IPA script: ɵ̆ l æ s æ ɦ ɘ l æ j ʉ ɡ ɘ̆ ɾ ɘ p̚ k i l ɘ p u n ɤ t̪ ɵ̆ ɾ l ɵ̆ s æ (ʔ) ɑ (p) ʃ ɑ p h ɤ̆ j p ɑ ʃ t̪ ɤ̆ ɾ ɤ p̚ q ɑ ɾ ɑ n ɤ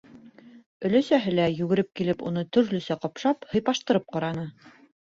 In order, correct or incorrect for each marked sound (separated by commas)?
incorrect, correct